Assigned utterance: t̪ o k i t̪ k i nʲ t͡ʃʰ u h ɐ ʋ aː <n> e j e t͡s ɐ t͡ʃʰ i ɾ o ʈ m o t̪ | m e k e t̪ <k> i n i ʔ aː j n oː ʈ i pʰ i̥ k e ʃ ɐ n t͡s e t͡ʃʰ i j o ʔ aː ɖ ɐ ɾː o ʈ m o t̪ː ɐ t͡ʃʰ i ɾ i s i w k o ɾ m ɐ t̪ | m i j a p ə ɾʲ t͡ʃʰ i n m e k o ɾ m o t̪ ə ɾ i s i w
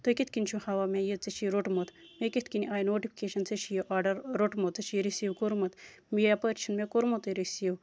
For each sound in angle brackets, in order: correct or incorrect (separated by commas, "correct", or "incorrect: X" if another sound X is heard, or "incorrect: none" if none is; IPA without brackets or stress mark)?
incorrect: m, correct